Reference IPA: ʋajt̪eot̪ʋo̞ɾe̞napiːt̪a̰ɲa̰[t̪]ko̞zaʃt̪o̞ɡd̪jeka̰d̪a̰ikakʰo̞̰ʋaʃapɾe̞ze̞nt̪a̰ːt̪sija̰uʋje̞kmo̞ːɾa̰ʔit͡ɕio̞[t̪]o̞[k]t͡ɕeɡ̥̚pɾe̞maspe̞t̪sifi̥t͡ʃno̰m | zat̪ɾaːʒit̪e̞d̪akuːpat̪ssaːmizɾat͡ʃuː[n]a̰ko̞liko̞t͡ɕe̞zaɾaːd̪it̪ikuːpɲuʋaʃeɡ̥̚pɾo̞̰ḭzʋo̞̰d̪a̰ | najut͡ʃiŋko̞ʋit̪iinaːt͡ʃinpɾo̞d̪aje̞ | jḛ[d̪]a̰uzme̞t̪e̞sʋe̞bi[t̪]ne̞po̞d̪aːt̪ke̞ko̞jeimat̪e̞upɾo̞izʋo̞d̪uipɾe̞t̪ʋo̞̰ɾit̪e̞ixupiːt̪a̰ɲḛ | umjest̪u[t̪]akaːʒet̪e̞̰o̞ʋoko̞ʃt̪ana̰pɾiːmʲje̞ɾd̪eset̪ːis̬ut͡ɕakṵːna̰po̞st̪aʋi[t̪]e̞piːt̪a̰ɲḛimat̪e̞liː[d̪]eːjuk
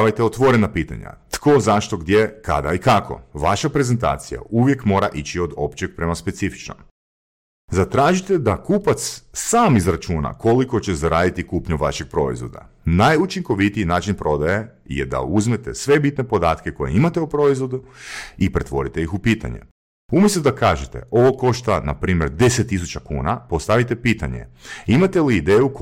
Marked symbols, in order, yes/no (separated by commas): yes, no, no, yes, yes, yes, no, yes, yes